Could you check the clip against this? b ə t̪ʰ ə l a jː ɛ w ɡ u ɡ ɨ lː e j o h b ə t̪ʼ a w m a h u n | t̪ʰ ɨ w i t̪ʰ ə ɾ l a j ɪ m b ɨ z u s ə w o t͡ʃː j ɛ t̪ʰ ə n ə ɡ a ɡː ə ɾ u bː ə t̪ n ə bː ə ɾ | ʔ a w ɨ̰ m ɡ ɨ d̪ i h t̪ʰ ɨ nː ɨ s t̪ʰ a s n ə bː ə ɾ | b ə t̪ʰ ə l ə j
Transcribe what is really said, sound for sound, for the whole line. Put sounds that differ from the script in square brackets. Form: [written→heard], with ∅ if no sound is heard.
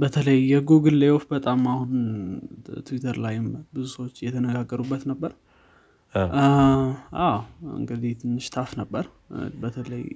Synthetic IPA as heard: b ə t̪ʰ ə l [a→ə] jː ɛ [w→∅] ɡ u ɡ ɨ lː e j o [h→f] b ə t̪ʼ a [w→∅] m a h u n | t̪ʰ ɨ w i t̪ʰ ə ɾ l a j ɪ m b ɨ z u s ə w o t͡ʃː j ɛ t̪ʰ ə n ə ɡ a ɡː ə ɾ u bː ə t̪ n ə bː ə ɾ | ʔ a w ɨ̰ [m→ŋ] ɡ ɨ d̪ i h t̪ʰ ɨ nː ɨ [s→ʃ] t̪ʰ a [s→f] n ə bː ə ɾ | b ə t̪ʰ ə l ə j